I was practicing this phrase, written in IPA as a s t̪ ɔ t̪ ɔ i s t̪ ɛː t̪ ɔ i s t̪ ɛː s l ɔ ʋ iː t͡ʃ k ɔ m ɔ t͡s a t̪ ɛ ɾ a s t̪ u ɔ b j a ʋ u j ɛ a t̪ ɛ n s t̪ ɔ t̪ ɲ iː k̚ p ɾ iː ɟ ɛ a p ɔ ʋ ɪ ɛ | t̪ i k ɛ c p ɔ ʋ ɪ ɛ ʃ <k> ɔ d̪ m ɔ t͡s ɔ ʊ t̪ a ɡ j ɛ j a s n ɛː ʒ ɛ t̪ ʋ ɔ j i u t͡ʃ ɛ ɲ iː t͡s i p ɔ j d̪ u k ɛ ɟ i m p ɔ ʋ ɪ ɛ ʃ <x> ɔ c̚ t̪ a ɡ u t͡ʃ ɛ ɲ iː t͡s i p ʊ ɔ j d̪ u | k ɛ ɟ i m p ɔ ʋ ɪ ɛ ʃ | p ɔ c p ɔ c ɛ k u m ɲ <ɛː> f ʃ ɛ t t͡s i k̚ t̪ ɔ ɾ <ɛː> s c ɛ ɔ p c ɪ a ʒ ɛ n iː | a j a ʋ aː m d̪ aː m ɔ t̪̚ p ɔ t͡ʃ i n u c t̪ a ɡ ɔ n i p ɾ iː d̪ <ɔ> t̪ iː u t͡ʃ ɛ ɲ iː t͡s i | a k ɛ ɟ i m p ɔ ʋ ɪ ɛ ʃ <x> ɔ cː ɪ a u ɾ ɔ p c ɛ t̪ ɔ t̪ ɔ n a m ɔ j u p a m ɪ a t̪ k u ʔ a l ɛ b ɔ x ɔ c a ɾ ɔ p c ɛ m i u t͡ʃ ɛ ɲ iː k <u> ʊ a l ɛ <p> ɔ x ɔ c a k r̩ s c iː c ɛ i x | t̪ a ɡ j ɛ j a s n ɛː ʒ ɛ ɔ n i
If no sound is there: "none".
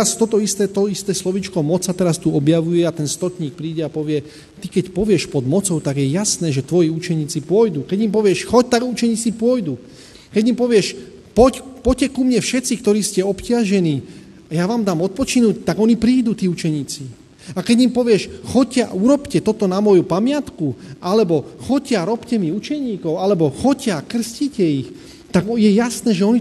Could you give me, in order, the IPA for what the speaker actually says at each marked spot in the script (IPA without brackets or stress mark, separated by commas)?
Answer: p, x, ɛ, iː, u, x, ɔ, b